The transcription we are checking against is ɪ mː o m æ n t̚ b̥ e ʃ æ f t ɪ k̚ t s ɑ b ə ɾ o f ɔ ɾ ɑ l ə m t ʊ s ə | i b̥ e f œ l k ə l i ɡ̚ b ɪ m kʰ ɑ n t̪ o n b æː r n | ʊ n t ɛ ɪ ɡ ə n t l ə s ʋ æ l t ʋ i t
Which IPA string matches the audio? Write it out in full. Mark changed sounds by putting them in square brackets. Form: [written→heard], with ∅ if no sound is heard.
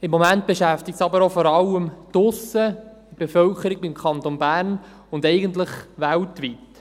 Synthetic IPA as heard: ɪ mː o m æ n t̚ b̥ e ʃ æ f t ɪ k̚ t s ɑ b ə ɾ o f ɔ ɾ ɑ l ə m t ʊ s ə | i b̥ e f œ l k ə [l→ɾ] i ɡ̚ b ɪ m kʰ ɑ n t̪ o n b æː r n | ʊ n [t→d] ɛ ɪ ɡ ə n t l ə [s→χ] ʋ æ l t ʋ i t